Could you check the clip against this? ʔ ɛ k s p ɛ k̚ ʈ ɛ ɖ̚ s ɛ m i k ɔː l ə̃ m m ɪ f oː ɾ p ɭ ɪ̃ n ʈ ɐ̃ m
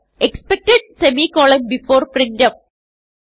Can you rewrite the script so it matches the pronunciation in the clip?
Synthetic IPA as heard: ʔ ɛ k s p ɛ k̚ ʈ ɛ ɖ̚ s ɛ m i k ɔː l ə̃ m b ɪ f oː ɾ p ɾ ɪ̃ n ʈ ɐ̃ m